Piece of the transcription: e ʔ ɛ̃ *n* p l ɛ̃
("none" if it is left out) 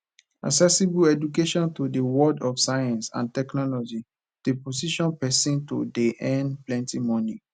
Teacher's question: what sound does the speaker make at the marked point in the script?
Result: n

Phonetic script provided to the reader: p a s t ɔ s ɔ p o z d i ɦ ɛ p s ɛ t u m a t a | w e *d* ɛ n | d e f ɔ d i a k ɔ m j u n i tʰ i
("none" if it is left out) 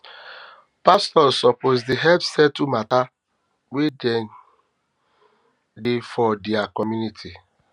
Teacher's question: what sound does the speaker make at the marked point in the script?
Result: d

